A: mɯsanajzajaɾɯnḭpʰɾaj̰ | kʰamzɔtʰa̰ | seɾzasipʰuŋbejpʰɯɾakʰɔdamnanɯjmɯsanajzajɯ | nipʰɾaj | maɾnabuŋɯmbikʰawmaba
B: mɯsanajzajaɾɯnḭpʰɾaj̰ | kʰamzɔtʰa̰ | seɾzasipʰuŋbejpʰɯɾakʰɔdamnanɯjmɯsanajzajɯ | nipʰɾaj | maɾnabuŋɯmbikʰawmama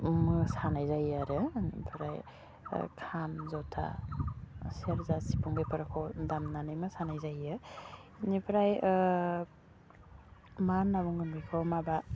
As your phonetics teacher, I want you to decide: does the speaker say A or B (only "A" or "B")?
A